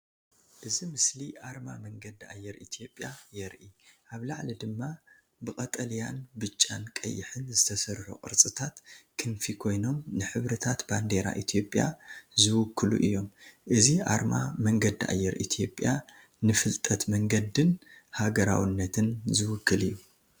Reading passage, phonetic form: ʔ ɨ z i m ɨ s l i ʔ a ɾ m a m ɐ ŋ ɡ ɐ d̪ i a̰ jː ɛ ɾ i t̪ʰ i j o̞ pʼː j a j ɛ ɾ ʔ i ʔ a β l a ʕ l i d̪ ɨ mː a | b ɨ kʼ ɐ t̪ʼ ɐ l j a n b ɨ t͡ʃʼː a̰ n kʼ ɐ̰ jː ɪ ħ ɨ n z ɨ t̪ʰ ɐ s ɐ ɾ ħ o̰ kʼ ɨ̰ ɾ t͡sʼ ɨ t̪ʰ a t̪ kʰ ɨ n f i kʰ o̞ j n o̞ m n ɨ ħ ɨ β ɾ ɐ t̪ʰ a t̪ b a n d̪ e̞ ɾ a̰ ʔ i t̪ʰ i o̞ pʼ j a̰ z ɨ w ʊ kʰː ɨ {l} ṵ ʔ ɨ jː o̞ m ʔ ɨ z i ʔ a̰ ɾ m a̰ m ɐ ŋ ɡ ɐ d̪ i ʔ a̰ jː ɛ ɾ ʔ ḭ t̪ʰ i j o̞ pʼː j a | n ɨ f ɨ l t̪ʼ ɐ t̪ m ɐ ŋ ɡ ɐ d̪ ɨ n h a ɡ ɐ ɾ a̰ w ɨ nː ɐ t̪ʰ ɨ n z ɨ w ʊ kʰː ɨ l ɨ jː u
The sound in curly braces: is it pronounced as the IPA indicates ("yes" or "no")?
yes